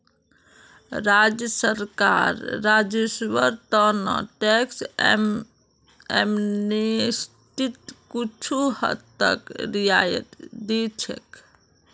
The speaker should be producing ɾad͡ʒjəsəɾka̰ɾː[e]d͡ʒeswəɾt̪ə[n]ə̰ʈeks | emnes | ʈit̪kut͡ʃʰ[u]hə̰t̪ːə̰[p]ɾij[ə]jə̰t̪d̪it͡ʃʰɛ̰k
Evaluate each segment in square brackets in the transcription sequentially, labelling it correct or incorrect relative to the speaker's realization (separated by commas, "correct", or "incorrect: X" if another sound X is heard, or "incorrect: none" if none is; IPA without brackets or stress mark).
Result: incorrect: a, correct, correct, incorrect: k, incorrect: a